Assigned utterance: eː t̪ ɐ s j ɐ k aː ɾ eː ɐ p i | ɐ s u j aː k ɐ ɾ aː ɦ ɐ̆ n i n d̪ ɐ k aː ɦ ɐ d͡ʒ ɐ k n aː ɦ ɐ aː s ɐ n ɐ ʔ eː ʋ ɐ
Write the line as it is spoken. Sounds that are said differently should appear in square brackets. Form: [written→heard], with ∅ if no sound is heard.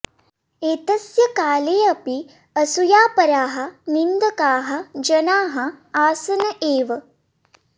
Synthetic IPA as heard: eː t̪ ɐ s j ɐ k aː [ɾ→l] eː ɐ p i | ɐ s u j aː [k→p] ɐ ɾ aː ɦ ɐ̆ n i n d̪ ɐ k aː ɦ ɐ d͡ʒ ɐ [k→∅] n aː ɦ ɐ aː s ɐ n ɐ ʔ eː ʋ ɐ